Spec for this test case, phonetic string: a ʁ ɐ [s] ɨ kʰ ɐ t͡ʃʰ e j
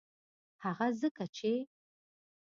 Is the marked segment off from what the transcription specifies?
yes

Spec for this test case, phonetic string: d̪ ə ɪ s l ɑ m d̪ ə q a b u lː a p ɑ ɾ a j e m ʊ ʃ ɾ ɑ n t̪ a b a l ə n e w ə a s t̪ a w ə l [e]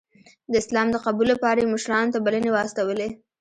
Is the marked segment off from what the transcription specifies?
no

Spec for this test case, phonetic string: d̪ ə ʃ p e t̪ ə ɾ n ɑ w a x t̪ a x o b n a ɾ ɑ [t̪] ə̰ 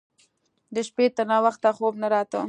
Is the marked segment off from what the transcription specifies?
no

